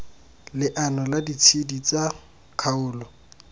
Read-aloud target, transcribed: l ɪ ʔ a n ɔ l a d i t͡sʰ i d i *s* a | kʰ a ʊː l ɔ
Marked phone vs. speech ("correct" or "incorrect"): incorrect